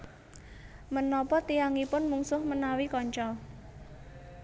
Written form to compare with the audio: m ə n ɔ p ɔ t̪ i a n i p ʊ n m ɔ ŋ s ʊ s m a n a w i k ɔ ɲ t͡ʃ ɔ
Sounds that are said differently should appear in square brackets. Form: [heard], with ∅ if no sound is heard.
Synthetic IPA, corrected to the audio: m ə n ɔ p ɔ t̪ i a [ŋ] i p ʊ n m [u] ŋ s ʊ [h] m [ə] n a w i k ɔ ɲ t͡ʃ ɔ

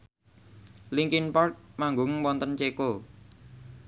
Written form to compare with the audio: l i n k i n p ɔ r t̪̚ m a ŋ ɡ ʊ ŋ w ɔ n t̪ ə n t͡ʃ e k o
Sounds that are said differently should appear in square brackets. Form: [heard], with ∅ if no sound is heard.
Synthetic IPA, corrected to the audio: l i [ŋ] k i n p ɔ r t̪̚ m a ŋ ɡ ʊ ŋ w ɔ n t̪ ə n t͡ʃ e k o

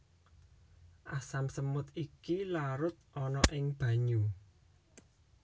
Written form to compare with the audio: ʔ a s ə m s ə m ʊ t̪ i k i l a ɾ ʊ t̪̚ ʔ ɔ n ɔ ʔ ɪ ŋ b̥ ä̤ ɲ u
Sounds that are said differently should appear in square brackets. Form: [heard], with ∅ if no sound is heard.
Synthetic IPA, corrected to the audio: ʔ a s [a] m s ə m ʊ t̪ i k i l a ɾ ʊ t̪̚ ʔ ɔ n ɔ ʔ ɪ ŋ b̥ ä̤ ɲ u

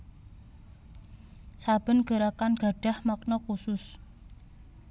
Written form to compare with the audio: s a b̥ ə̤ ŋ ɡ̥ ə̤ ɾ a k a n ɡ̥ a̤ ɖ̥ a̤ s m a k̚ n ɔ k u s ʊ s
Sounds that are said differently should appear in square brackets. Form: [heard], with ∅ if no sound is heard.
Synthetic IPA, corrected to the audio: s a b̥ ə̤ [n] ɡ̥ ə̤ ɾ a k a n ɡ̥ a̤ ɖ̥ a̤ [h] m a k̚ n ɔ k u s ʊ s

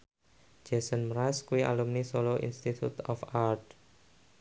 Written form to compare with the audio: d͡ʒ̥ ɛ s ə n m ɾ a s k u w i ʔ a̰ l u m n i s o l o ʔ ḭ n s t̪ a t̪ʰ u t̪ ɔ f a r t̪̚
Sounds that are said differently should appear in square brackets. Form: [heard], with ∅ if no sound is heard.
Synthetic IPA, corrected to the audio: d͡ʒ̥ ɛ s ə n m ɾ a s k u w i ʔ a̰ l u m n i s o l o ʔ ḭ n s t̪ [i] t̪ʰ u t̪ ɔ f a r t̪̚

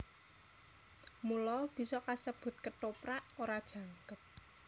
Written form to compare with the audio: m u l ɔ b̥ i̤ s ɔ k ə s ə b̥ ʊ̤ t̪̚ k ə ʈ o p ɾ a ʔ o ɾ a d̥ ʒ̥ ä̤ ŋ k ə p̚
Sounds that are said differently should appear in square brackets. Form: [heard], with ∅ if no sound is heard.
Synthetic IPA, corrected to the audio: m u l ɔ b̥ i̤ s ɔ k [a] s ə b̥ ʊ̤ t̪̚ k ə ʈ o p ɾ a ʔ o ɾ a d̥ ʒ̥ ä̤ ŋ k ə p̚

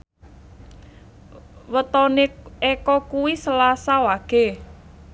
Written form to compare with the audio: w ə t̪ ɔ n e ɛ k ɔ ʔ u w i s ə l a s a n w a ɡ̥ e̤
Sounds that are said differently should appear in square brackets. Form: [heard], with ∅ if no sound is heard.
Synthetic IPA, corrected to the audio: w ə t̪ ɔ n e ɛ k ɔ [k] u w i s ə l a s a [∅] w a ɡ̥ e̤

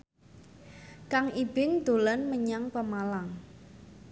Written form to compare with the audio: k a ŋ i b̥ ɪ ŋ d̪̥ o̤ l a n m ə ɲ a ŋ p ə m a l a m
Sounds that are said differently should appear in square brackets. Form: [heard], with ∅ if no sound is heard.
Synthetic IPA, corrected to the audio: k a ŋ i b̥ ɪ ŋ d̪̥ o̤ l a n m ə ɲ a ŋ p ə m a l a [ŋ]

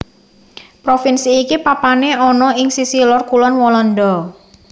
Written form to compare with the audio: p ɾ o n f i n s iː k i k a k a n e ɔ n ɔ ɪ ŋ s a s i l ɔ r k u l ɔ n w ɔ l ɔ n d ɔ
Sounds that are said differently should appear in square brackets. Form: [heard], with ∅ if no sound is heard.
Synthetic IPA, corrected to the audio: p ɾ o [∅] f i n s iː k i [p] a [p] a n e ɔ n ɔ ɪ ŋ s [i] s i l ɔ r k u l ɔ n w ɔ l ɔ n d ɔ

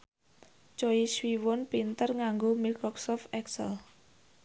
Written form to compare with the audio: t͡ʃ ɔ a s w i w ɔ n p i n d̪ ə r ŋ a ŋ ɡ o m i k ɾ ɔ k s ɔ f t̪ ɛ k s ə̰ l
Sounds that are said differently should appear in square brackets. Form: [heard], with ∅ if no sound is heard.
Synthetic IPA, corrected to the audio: t͡ʃ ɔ [i] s w i w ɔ n p i n [t̪] ə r ŋ a ŋ ɡ o m i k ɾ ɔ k s ɔ f t̪ ɛ k s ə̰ l

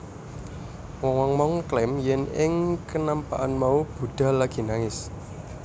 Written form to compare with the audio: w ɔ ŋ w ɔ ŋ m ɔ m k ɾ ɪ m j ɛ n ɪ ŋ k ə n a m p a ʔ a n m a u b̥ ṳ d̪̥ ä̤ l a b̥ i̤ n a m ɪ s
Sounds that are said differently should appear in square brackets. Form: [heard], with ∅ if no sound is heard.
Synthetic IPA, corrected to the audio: w ɔ ŋ w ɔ ŋ m ɔ [ŋ] k [l] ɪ m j ɛ n ɪ ŋ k ə n a m p a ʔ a n m a u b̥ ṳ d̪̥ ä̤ l a [ɡ̥] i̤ n a [ŋ] ɪ s

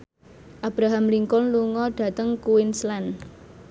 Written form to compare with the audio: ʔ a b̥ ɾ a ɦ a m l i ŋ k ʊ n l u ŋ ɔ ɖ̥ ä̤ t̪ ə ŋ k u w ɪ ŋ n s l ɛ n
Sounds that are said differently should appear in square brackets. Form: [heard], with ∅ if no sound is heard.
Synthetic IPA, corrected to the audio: ʔ a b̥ ɾ a ɦ a m l i ŋ k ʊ n l u ŋ ɔ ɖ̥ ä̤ t̪ ə ŋ k u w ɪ [∅] n s l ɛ n

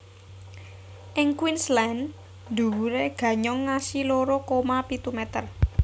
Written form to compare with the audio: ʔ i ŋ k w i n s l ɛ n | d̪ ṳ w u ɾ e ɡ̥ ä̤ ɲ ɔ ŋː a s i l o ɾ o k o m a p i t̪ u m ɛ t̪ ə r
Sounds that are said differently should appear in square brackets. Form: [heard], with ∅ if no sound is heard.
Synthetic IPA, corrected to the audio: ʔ [ɪ] ŋ k w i n s l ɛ n | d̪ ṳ w u ɾ e ɡ̥ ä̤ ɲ ɔ ŋː a s i l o ɾ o k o m a p i t̪ u m ɛ t̪ ə r

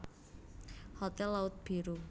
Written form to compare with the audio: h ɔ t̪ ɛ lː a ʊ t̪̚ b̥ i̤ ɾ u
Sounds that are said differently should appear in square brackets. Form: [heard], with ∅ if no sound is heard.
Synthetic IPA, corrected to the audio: h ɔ t̪ ɛ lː a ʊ t̪̚ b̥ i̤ ɾ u

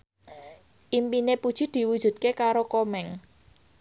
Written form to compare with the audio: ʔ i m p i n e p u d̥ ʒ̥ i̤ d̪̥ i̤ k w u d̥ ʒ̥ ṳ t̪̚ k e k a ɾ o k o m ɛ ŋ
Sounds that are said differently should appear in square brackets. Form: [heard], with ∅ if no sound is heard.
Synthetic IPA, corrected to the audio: ʔ i m p i n e p u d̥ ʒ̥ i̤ d̪̥ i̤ [∅] w u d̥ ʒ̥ ṳ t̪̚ k e k a ɾ o k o m ɛ ŋ

